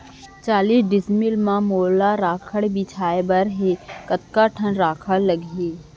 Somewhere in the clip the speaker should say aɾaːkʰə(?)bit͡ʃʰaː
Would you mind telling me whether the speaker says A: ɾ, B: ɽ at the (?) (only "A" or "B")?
B